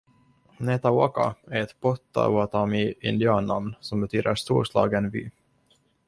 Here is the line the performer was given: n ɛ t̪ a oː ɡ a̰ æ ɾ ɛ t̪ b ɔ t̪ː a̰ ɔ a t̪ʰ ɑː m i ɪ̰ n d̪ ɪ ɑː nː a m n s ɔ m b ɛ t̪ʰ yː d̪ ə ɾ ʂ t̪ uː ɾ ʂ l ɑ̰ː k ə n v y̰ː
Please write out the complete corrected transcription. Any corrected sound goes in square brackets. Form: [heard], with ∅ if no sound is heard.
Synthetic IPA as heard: n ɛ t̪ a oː [k] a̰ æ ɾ ɛ t̪ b ɔ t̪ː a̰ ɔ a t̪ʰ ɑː m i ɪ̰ n d̪ ɪ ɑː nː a m n s ɔ m b ɛ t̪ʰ yː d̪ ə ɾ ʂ t̪ uː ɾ ʂ l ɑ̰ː [ɡ] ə n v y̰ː